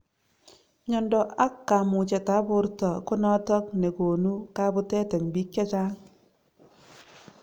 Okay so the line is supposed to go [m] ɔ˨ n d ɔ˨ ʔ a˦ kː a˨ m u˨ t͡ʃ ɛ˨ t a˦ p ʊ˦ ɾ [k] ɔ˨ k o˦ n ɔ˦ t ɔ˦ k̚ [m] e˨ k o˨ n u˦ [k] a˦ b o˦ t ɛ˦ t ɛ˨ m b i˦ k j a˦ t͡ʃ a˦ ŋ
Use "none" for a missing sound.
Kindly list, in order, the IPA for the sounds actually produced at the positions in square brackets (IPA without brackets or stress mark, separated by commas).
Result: ɲ, t, n, k